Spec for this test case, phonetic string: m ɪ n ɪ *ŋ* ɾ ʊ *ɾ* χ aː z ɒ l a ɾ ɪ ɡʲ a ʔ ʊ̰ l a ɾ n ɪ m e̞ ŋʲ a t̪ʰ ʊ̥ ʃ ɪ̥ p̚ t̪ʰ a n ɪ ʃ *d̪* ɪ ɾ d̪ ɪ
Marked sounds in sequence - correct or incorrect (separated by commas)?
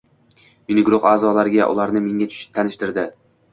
incorrect, incorrect, incorrect